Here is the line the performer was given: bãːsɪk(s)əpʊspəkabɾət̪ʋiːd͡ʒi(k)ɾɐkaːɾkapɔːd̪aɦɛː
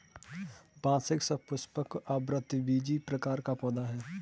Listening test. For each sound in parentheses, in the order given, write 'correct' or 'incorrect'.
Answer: correct, incorrect: p

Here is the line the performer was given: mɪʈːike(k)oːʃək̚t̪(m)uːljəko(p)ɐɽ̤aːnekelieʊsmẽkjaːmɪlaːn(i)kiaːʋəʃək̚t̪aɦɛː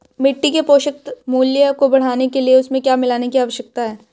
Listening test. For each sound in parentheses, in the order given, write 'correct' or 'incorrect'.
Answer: incorrect: p, correct, incorrect: b, incorrect: e

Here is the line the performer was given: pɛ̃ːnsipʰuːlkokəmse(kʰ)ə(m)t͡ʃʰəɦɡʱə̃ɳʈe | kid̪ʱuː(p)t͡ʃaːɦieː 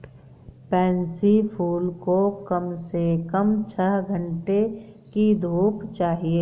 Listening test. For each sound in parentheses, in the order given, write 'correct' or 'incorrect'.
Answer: incorrect: k, correct, correct

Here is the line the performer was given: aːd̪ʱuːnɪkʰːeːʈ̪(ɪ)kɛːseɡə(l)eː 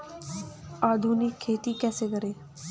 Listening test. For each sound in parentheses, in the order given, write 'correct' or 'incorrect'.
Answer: incorrect: i, incorrect: ɾ

